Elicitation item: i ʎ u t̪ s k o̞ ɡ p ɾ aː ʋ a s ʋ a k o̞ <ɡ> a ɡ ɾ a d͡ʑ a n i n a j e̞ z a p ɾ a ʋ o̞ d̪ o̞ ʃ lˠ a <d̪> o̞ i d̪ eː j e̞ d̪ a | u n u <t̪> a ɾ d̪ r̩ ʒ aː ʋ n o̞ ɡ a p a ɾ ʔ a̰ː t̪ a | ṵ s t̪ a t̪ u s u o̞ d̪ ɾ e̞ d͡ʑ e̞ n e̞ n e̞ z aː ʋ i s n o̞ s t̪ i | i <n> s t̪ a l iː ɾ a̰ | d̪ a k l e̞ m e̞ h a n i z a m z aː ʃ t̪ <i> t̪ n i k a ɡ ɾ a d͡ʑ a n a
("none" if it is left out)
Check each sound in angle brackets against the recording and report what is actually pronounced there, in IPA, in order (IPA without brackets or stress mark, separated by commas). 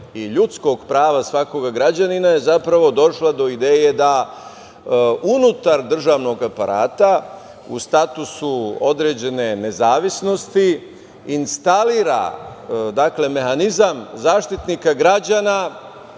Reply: ɡ, d̪, t̪, n, i